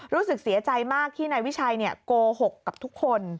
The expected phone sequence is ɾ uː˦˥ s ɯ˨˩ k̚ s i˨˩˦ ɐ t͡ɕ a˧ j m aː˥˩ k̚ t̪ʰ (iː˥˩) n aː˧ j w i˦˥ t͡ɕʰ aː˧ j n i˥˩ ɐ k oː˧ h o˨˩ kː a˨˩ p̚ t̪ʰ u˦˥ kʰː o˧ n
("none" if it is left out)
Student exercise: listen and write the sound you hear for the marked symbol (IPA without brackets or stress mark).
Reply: iː˥˩